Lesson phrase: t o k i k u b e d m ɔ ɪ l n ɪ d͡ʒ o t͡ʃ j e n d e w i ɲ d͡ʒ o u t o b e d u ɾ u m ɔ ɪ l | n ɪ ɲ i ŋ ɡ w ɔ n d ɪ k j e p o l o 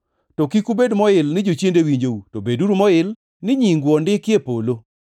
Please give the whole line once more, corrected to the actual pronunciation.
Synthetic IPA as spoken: t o k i k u b e d m ɔ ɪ l n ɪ d͡ʒ o t͡ʃ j e n d e w i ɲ d͡ʒ o u t o b e d u ɾ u m ɔ ɪ l | n ɪ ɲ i ŋ ɡ w ɔ n d ɪ k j e p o l o